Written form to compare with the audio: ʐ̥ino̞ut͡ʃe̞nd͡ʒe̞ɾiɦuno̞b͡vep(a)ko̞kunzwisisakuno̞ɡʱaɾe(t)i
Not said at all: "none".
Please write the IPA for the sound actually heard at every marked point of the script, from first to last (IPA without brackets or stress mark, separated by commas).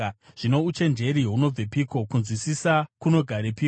i, p